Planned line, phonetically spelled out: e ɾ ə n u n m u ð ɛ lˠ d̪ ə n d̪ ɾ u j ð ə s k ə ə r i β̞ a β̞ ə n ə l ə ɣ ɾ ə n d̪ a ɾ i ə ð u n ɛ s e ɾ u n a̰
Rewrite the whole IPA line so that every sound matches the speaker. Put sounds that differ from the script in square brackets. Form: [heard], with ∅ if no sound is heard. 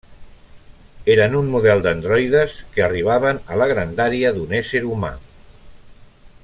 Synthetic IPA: e ɾ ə n u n m u ð ɛ lˠ d̪ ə n d̪ ɾ [ɔ] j ð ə s k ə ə r i β̞ a β̞ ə n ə l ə ɣ ɾ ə n d̪ a ɾ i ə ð u n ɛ s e ɾ u [m] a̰